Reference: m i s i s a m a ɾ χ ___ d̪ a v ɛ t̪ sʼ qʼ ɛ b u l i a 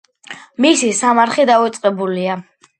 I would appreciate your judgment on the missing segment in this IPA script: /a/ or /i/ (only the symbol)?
i